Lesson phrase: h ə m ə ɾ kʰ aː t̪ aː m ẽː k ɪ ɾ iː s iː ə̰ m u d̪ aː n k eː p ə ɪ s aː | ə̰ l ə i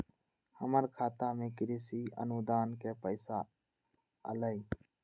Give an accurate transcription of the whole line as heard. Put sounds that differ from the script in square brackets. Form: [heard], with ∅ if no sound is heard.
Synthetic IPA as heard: h ə m ə ɾ kʰ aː t̪ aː m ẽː k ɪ ɾ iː s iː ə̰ [n] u d̪ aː n k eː p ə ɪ s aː | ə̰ l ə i